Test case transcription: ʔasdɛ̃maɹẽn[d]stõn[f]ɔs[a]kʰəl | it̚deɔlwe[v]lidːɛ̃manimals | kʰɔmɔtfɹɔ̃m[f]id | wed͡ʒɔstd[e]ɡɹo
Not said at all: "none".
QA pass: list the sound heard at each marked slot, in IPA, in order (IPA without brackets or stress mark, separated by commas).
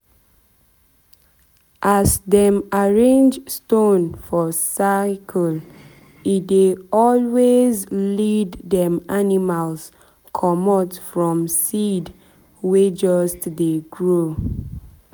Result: d͡ʒ, f, a, z, s, e